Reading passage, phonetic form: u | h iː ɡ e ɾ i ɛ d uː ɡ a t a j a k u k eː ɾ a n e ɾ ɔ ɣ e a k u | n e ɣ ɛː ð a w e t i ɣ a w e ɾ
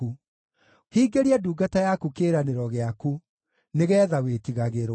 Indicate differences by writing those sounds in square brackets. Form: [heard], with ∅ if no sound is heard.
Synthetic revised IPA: u | h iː ɡ e ɾ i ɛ d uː ɡ a t a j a k u k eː ɾ a n e ɾ ɔ ɣ e a k u | n e ɣ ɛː ð a w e t i ɣ a [ɣ] e ɾ